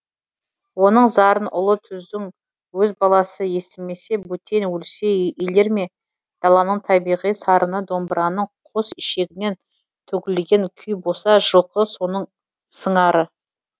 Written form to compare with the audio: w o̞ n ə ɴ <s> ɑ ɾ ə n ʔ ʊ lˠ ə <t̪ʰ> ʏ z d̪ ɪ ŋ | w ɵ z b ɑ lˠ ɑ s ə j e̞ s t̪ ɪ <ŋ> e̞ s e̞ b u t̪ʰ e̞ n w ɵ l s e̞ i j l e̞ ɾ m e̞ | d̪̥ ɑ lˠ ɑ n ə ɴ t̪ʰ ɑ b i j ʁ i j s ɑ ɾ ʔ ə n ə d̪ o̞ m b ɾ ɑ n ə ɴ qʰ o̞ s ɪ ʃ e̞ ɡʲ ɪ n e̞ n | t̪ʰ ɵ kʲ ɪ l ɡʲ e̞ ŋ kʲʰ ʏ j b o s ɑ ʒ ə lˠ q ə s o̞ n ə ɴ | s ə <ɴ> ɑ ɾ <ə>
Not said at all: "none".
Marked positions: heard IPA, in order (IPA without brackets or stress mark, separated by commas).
z, t̪ʰ, m, ɴ, ə